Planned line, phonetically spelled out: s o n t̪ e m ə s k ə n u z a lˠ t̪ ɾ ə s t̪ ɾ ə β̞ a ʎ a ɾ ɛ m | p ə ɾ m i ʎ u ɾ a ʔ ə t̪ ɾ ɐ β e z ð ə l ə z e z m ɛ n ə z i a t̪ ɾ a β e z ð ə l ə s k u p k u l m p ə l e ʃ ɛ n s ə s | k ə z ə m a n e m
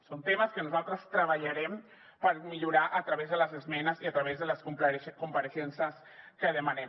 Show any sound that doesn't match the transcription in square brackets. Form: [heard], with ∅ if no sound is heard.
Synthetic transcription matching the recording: s o n t̪ e m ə s k ə n u z a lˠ t̪ ɾ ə s t̪ ɾ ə β̞ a ʎ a ɾ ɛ m | p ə ɾ m i ʎ u ɾ a ʔ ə t̪ ɾ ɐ β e z ð ə l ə z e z m ɛ n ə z i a t̪ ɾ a β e z ð ə l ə s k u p k u [∅] m p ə [ɾ] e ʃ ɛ n s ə s | k ə [ð] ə m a n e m

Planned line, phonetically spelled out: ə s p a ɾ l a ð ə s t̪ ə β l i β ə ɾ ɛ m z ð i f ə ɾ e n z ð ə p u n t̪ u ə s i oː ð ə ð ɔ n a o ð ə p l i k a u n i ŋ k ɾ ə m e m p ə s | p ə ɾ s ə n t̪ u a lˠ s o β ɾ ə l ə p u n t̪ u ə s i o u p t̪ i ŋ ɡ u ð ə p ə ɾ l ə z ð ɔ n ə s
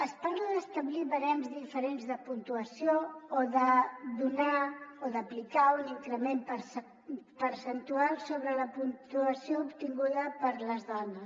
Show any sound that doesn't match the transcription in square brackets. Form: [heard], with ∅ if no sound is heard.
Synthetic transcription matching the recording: ə s p a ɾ l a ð ə s t̪ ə β l i β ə ɾ ɛ m z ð i f ə ɾ e n z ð ə p u n t̪ u ə s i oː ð ə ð [u] n a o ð ə p l i k a u n i ŋ k ɾ ə m e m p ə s | p ə ɾ s ə n t̪ u a lˠ s o β ɾ ə l ə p u n t̪ u ə s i o u p t̪ i ŋ ɡ u ð ə p ə ɾ l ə z ð ɔ n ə s

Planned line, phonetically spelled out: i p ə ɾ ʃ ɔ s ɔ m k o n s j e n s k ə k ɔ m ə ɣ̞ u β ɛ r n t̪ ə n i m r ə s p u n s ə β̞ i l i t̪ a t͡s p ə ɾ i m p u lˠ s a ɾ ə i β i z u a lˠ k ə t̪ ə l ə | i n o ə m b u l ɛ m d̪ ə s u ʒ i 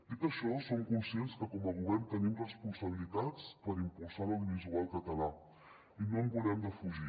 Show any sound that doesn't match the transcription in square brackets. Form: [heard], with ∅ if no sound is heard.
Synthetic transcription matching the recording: i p ə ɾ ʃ ɔ s [o] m k [u] n s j e n s k ə k ɔ m ə ɣ̞ u β ɛ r n t̪ ə n i m r ə s p u n s ə β̞ i l i t̪ a t͡s p ə ɾ i m p u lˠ s a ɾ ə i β i z u a lˠ k ə t̪ ə l [a] | i n o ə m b u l ɛ m d̪ ə [f] u ʒ i

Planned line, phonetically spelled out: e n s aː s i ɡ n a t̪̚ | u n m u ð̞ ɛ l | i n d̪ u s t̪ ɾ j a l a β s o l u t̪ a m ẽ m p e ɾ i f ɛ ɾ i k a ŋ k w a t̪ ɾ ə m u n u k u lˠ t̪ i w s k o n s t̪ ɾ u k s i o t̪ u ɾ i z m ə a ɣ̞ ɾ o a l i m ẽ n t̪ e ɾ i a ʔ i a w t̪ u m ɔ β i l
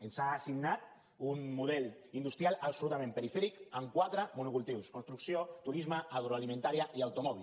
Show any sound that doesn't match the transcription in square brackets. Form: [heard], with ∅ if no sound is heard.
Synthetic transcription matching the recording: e n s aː s i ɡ n a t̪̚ | u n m u ð̞ ɛ l | i n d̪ u s t̪ ɾ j a l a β s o l u t̪ a m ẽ m p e ɾ i f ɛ ɾ i k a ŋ k w a t̪ ɾ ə m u n u k u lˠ t̪ i w s k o n s t̪ ɾ u k s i o t̪ u ɾ i z m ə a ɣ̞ ɾ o a l i m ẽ n t̪ [a] ɾ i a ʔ i a w t̪ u m ɔ β i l

